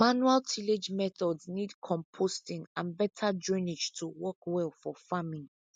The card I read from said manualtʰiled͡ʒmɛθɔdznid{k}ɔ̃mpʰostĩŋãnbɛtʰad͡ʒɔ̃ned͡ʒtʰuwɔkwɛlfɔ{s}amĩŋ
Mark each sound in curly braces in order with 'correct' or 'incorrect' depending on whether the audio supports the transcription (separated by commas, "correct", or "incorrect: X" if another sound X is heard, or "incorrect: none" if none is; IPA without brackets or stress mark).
incorrect: kʰ, incorrect: f